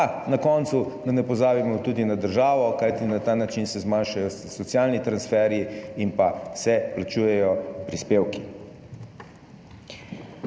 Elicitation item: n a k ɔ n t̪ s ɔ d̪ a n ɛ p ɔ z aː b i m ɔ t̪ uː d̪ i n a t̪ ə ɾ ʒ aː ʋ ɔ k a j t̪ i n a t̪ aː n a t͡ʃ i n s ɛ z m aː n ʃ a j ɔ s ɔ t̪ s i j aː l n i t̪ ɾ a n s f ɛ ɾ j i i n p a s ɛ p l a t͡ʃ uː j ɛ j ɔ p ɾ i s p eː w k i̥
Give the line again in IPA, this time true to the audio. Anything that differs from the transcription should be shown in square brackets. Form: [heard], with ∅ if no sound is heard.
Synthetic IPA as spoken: n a k ɔ n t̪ s [u] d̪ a n ɛ p ɔ z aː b i m ɔ t̪ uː d̪ i n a [d̪] ə ɾ ʒ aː ʋ ɔ k a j t̪ i n a t̪ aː n a t͡ʃ i n s ɛ z m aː n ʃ a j ɔ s ɔ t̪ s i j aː l n i t̪ ɾ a n s f ɛ ɾ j i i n p a s ɛ p l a t͡ʃ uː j ɛ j ɔ p ɾ i s p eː w k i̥